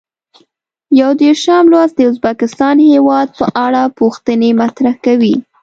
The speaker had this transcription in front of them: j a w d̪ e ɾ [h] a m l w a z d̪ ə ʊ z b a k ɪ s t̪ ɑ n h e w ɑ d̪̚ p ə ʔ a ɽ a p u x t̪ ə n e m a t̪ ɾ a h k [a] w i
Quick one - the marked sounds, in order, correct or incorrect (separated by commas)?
incorrect, correct